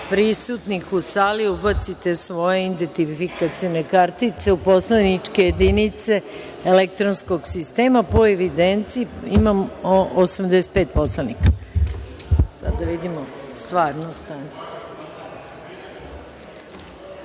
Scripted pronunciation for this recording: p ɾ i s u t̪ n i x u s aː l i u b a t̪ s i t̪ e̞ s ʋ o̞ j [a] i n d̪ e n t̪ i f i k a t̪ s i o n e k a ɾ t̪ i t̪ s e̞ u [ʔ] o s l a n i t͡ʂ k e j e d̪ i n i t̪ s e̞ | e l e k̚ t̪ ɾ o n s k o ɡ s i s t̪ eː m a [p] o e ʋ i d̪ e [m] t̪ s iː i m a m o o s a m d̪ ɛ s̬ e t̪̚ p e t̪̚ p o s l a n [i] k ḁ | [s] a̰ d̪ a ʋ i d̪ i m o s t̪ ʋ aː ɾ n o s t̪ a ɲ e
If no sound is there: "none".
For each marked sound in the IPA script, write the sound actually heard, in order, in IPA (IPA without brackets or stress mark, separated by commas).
e, p, p, n, i, s